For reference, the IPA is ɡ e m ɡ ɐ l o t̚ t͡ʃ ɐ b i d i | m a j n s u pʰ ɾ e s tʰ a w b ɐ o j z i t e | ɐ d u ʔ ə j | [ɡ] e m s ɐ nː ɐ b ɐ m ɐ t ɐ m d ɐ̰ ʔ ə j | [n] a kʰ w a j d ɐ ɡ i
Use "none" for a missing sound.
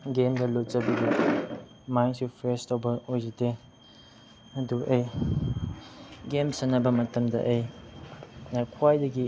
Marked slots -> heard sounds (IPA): ɡ, n

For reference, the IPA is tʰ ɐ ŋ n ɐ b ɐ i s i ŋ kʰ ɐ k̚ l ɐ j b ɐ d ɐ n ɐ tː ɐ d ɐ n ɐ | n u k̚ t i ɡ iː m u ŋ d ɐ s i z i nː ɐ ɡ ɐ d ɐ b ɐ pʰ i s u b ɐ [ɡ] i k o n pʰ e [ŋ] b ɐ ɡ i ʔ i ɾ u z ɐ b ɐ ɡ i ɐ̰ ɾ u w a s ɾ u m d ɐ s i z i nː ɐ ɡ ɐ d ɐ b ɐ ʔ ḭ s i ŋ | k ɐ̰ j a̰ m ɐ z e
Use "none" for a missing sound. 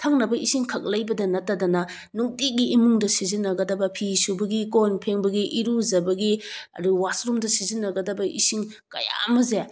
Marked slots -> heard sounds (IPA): ɡ, ŋ

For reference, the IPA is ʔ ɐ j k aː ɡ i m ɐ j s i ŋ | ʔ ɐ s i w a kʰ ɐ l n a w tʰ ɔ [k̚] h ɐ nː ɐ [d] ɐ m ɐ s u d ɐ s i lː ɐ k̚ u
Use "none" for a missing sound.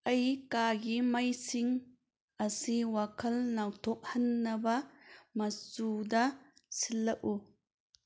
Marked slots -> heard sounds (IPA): k̚, b

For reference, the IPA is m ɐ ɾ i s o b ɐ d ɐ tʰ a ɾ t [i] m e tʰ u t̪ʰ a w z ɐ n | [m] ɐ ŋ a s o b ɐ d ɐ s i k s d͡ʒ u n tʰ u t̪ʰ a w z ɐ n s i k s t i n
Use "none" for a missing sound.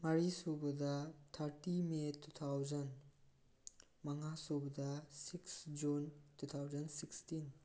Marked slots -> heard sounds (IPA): i, m

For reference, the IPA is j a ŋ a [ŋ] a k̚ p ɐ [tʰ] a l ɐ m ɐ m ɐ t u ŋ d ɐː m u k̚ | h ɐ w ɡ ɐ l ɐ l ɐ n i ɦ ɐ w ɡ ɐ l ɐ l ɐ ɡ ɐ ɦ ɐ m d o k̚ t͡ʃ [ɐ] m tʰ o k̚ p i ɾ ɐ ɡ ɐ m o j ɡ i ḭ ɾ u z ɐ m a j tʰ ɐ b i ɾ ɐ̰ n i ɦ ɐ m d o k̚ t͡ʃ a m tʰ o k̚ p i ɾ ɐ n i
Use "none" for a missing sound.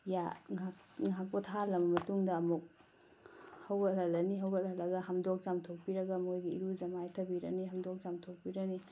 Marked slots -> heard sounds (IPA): ŋ, tʰ, a

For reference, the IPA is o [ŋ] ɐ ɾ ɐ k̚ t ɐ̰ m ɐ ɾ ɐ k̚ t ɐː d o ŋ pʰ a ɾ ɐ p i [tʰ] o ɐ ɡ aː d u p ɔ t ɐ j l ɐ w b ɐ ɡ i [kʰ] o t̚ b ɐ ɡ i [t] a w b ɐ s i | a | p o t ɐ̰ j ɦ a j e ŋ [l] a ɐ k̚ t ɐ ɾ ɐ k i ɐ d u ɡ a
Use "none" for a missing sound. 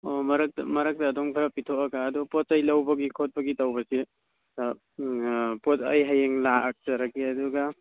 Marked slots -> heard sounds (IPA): m, tʰ, kʰ, t, l

